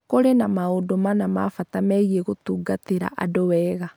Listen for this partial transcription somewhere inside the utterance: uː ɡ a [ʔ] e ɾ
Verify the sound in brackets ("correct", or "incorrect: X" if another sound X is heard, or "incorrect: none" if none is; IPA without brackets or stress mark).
incorrect: t